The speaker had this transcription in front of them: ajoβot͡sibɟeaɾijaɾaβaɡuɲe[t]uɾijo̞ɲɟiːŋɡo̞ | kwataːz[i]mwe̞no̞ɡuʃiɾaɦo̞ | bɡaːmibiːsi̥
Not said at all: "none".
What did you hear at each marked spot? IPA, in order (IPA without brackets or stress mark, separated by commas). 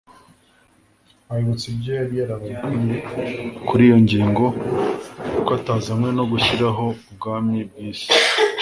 k, a